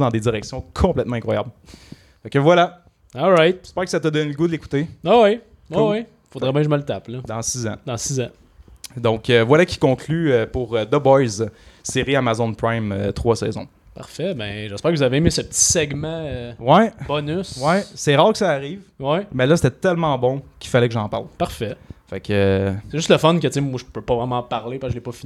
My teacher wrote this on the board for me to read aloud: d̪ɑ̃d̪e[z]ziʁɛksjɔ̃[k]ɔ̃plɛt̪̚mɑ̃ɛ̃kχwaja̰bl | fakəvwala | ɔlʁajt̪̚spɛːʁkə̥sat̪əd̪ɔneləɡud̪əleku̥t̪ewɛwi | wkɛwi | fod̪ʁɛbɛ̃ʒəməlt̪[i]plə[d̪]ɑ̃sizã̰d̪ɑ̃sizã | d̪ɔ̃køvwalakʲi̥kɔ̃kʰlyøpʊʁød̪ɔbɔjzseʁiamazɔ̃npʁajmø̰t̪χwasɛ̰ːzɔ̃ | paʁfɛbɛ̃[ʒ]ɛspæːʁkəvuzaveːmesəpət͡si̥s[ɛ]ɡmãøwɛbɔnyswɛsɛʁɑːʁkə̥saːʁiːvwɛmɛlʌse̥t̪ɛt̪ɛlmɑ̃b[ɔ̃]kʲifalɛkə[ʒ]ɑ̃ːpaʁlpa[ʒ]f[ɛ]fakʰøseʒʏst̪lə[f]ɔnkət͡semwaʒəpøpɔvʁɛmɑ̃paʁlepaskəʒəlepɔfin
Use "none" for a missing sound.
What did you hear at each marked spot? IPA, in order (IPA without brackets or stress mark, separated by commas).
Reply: d͡z, kʰ, a, d̪, ʒ, ɛ, ɔ̃, ʒ, ʁ, ɛ, f